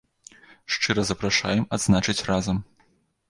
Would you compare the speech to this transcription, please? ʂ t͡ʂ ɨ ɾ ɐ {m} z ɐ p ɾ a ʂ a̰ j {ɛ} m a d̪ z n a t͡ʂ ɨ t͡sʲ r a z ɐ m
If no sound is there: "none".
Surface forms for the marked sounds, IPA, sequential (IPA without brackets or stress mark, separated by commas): none, ɛ